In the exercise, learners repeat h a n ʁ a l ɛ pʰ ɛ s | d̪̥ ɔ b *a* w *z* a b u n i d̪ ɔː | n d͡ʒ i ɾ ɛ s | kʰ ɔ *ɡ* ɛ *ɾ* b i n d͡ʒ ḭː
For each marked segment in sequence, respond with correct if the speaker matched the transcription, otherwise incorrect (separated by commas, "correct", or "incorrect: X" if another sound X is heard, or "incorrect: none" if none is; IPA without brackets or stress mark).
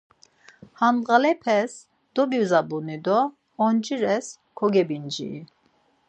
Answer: incorrect: i, correct, correct, incorrect: none